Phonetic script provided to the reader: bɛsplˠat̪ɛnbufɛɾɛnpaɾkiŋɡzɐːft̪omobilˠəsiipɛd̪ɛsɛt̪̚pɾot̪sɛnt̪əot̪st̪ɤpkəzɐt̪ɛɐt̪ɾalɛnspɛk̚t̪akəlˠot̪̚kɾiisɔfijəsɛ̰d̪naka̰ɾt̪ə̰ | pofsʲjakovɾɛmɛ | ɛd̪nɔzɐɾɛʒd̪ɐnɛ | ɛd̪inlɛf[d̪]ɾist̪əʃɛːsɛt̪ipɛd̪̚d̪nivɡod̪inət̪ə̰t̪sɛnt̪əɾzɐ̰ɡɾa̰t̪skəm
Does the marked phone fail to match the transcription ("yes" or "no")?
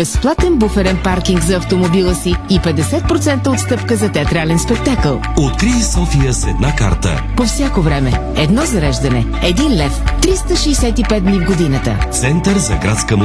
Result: yes